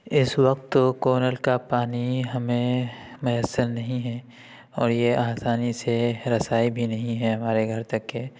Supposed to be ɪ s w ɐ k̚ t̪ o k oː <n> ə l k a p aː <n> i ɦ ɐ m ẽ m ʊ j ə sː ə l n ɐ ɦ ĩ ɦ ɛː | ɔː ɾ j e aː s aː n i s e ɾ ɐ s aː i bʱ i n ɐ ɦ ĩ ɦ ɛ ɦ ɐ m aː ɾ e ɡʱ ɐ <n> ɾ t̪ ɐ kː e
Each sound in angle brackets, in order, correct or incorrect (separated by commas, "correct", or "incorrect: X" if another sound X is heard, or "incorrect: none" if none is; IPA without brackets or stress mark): correct, correct, incorrect: none